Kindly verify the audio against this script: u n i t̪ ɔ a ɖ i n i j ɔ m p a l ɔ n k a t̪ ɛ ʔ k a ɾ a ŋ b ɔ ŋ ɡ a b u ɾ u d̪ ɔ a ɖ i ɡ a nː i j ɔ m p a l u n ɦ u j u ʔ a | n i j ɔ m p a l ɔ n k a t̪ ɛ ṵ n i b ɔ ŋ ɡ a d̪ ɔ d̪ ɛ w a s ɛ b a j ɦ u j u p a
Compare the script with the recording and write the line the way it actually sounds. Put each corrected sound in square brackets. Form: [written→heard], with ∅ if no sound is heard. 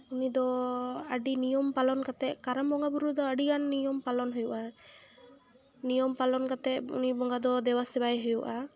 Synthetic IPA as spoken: u n i [t̪→d̪] ɔ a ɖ i n i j ɔ m p a l ɔ n k a t̪ ɛ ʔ k a ɾ a [ŋ→m] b ɔ ŋ ɡ a b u ɾ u d̪ ɔ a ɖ i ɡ a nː i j ɔ m p a l [u→ɔ] n ɦ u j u ʔ a | n i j ɔ m p a l ɔ n k a t̪ ɛ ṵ n i b ɔ ŋ ɡ a d̪ ɔ d̪ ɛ w a s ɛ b a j ɦ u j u [p→ʔ] a